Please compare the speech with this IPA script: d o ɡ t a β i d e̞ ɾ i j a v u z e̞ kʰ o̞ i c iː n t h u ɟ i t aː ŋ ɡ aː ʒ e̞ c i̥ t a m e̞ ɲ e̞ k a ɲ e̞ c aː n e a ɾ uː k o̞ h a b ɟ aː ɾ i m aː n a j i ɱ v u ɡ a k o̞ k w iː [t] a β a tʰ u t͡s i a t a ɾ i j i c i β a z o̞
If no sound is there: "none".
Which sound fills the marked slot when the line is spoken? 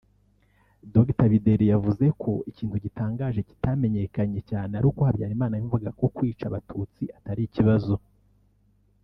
t͡ʃ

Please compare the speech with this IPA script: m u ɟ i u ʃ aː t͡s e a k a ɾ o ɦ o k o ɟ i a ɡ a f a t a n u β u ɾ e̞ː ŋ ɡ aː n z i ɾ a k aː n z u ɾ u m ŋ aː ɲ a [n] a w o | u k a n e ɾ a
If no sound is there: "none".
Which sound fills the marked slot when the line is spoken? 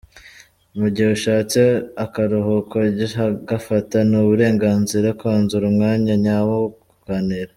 ɲ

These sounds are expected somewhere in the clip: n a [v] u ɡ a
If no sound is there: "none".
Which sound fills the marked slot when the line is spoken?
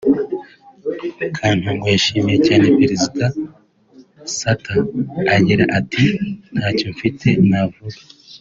v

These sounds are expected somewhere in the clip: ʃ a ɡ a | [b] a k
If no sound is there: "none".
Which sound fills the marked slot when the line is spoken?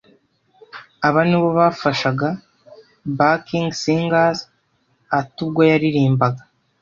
b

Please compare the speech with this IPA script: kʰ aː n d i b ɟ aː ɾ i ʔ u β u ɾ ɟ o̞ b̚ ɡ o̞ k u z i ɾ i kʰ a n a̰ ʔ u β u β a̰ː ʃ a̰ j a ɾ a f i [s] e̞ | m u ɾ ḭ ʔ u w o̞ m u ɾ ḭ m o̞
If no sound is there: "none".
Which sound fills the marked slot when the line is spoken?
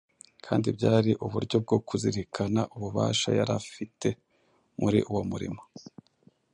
t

